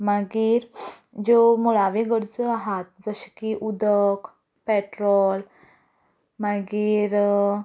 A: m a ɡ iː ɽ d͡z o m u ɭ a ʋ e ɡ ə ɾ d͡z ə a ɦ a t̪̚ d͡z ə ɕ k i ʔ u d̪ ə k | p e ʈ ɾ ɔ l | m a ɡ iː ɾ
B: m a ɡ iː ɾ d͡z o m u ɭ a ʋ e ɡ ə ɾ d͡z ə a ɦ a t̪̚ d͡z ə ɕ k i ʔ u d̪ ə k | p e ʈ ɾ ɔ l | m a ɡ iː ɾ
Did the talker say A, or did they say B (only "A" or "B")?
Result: B